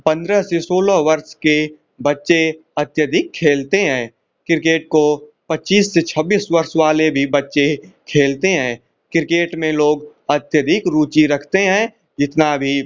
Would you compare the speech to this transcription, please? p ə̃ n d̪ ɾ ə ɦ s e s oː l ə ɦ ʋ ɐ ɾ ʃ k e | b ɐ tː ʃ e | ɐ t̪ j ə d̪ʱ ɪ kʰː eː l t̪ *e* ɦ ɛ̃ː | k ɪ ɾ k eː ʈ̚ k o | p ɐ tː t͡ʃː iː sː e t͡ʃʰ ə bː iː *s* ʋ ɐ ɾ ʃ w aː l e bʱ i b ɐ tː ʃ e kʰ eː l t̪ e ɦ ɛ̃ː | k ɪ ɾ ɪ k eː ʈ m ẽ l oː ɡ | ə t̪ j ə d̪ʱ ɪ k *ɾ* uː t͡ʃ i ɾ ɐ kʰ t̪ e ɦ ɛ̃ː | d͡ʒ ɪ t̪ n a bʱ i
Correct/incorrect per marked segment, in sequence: correct, correct, correct

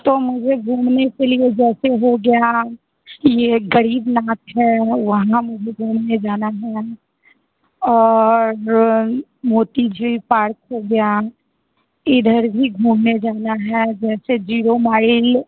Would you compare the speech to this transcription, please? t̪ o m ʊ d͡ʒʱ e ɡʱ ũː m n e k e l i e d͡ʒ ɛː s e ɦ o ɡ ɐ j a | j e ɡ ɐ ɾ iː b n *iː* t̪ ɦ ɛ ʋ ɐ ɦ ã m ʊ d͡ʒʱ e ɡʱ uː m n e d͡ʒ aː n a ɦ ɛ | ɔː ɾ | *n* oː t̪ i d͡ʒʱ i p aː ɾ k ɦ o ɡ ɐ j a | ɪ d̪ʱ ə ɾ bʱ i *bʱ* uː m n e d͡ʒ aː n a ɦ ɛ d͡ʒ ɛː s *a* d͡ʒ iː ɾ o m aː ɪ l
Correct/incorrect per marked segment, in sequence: incorrect: aː, incorrect: m, incorrect: ɡʱ, incorrect: e

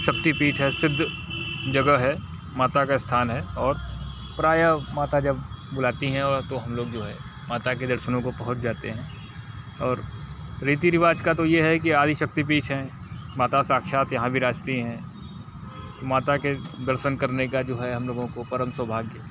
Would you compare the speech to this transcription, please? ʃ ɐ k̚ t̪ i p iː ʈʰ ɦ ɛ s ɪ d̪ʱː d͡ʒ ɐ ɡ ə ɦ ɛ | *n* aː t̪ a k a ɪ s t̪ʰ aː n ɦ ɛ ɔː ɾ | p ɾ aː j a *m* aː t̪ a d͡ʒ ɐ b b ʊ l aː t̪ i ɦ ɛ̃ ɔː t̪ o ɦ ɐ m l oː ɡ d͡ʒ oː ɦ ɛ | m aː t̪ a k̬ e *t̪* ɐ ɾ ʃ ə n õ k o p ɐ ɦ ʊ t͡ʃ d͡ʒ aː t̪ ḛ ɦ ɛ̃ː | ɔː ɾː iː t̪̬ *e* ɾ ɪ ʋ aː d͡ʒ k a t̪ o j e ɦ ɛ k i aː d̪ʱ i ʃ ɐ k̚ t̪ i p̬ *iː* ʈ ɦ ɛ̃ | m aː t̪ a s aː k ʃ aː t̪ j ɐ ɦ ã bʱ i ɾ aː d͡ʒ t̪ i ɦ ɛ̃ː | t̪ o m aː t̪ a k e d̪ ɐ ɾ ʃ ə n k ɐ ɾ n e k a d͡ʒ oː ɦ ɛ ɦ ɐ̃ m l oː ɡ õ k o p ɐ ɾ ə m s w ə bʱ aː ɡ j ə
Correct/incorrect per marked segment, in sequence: incorrect: m, correct, incorrect: d̪, incorrect: i, correct

